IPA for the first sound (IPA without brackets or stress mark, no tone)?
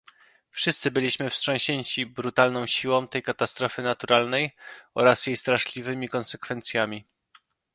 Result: f